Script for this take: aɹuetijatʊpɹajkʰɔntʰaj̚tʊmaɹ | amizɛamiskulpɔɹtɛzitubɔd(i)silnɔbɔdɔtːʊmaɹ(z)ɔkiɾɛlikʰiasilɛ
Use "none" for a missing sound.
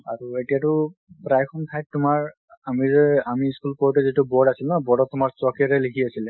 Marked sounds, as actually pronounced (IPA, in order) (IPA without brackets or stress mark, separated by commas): a, s